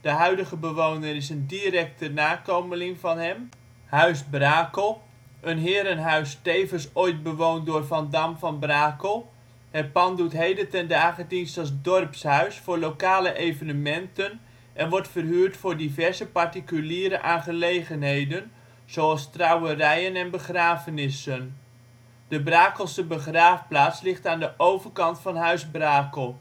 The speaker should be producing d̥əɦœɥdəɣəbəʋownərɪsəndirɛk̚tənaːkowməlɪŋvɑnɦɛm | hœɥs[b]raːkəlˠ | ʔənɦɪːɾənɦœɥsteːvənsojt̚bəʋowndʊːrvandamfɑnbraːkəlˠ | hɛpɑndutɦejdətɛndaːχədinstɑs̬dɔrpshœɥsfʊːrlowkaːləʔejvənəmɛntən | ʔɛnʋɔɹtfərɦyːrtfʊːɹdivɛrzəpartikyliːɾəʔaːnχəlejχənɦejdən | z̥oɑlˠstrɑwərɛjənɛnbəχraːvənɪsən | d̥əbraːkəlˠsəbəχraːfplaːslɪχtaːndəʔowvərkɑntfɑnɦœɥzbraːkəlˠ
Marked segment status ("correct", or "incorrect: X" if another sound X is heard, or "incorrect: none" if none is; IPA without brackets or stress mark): correct